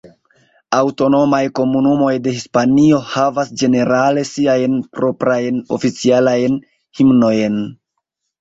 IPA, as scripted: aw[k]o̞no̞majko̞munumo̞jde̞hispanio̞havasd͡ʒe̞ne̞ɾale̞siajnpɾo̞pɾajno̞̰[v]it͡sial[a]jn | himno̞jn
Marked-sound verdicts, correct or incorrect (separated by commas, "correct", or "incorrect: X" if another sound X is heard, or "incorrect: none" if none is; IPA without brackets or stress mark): incorrect: t, incorrect: f, correct